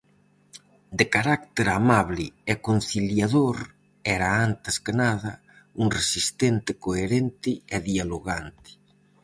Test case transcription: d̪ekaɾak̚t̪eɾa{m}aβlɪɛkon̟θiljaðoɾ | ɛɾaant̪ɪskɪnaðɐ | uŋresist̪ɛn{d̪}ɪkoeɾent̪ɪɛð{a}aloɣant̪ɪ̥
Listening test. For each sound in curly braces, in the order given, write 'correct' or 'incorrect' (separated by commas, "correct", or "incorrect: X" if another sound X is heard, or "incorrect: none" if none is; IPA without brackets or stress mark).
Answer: correct, incorrect: t̪, incorrect: i